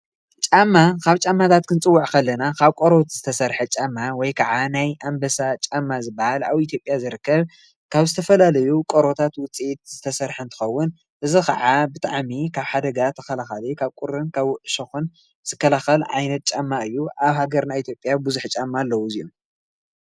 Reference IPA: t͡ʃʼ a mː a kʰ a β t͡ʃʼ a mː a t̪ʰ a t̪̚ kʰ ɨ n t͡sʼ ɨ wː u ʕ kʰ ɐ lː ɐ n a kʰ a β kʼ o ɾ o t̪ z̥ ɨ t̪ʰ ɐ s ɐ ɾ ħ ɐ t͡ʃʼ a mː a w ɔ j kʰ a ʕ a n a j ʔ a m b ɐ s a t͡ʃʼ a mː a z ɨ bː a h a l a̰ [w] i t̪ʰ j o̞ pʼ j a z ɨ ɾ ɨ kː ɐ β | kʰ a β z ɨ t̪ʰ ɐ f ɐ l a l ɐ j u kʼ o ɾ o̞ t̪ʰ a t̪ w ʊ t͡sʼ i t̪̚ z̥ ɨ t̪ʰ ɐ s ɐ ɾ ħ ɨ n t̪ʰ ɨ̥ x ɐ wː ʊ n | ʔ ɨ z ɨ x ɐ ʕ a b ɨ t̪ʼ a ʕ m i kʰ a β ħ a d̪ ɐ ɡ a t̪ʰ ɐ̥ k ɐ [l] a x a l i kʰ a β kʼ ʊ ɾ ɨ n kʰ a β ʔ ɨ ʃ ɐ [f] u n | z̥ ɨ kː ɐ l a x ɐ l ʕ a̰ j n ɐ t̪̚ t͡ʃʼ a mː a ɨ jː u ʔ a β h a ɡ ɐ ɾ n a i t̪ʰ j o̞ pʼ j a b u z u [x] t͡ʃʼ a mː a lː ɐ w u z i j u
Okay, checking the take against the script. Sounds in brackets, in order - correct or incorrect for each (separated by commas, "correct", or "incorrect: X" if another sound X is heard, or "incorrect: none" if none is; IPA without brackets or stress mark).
incorrect: β, correct, incorrect: x, incorrect: ħ